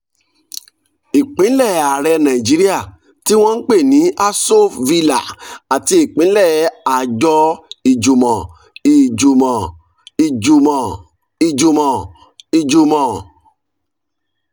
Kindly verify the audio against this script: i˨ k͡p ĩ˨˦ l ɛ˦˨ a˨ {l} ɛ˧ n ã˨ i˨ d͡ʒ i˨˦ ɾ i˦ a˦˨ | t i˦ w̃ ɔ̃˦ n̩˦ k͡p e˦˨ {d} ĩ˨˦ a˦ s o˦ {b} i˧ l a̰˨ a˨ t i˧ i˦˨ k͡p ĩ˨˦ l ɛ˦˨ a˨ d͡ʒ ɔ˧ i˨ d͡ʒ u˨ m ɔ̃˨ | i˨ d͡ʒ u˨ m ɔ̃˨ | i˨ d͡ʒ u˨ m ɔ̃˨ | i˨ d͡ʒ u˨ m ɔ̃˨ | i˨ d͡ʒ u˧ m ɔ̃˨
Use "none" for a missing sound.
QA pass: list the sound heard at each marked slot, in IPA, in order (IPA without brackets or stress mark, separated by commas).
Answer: ɾ, n, v